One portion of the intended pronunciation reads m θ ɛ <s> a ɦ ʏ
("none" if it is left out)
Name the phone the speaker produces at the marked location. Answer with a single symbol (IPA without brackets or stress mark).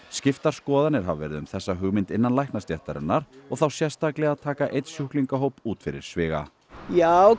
sː